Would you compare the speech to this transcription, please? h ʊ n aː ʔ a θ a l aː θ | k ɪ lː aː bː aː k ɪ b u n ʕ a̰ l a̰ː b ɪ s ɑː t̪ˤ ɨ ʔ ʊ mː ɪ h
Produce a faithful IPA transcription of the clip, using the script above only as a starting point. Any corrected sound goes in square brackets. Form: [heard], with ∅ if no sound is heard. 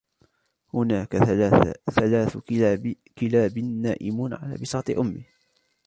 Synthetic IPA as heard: h ʊ n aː [k] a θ a l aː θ | k ɪ [l] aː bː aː [ʔ] ɪ [m] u n ʕ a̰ l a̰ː b ɪ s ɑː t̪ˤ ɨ ʔ ʊ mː ɪ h